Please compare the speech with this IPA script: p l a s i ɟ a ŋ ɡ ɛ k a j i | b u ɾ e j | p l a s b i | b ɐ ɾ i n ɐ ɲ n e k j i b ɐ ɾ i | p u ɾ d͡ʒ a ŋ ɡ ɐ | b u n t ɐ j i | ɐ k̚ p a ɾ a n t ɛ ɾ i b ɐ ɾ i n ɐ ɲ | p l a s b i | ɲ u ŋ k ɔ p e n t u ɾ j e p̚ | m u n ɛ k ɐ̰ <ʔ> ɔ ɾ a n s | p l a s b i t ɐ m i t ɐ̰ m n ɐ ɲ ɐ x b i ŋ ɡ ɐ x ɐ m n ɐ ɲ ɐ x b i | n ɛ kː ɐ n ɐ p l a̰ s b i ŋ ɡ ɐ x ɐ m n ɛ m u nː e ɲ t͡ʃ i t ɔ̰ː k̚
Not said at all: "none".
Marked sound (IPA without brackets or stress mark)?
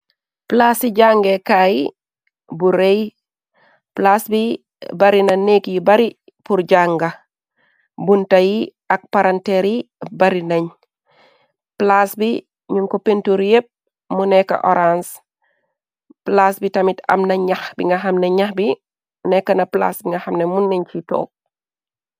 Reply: ʔ